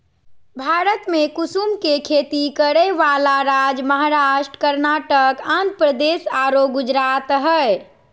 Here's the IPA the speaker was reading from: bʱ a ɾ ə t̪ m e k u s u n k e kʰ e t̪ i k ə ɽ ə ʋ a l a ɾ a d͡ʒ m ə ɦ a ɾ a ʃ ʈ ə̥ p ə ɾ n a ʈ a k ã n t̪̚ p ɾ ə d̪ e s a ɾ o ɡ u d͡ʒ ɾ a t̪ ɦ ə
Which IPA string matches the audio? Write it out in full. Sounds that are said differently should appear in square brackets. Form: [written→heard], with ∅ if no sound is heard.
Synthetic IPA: bʱ a ɾ ə t̪ m e k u s u [n→m] k e kʰ e t̪ i k ə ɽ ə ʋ a l a ɾ a d͡ʒ m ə ɦ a ɾ a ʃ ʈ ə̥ [p→k] ə ɾ n a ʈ [a→ə] k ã n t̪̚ p ɾ ə d̪ e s a ɾ o ɡ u d͡ʒ ɾ a t̪ ɦ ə